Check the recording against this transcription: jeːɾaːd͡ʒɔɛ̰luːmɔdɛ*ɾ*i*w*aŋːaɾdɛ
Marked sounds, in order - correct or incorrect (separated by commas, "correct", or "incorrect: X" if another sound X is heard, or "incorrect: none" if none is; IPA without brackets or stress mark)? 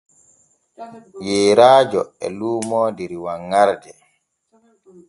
correct, correct